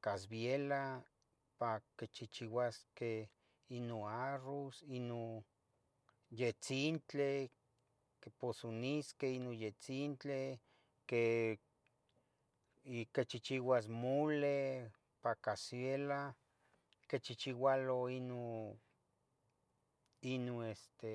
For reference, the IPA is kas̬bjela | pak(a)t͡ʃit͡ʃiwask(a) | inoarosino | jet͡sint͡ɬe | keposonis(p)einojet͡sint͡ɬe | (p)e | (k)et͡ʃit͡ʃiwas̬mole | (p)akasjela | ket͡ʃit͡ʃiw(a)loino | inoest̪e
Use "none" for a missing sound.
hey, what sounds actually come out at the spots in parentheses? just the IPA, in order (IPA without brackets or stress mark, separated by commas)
e, e, k, k, k, p, a